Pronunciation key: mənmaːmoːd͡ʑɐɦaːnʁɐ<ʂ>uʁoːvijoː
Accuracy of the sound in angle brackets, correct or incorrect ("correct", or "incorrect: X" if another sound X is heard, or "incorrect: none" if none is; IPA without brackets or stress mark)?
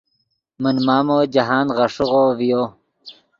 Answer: correct